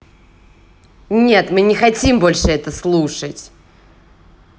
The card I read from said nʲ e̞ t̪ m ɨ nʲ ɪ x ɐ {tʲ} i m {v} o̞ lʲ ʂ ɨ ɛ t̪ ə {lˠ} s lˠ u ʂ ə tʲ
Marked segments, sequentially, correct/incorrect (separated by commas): correct, incorrect, incorrect